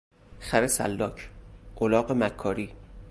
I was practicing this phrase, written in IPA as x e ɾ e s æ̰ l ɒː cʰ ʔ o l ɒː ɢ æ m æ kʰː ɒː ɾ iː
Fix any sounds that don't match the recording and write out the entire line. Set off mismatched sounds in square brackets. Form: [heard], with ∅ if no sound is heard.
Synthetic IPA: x [æ] ɾ e s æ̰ [lː] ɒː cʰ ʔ o l ɒː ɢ [e] m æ kʰː ɒː ɾ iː